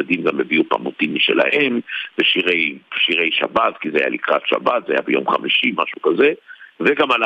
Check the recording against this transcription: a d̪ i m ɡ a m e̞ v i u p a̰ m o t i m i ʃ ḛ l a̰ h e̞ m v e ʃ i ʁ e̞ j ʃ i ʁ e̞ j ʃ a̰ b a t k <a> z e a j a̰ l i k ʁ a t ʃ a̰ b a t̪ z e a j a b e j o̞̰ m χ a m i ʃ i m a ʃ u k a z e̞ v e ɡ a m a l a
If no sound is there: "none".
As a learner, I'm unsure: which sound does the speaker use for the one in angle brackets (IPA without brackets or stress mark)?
i